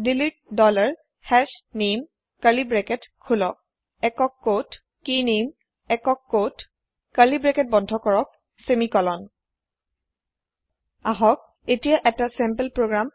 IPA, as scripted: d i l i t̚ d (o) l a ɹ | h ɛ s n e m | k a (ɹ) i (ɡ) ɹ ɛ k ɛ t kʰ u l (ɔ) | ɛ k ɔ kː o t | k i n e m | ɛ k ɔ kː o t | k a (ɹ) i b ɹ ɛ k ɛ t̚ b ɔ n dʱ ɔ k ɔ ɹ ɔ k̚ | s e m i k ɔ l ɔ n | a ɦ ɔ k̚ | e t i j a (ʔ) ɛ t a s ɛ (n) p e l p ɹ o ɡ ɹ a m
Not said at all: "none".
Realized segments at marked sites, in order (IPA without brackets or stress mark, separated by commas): ɔ, l, b, ɔ, l, ʔ, m